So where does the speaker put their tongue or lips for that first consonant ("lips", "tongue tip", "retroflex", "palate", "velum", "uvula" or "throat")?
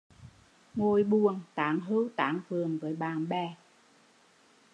velum